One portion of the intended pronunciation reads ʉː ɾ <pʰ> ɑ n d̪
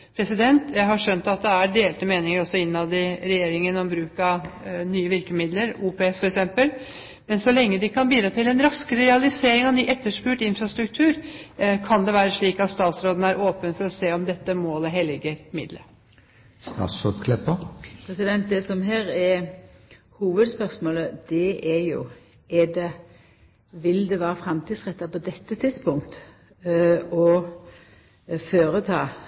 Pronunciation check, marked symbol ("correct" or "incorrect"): incorrect